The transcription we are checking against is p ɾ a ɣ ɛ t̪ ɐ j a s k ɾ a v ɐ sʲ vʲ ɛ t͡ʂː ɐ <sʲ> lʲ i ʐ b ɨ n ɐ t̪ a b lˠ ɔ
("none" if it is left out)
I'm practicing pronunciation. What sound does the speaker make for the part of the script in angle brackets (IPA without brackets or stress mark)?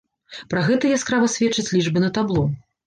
t͡sʲ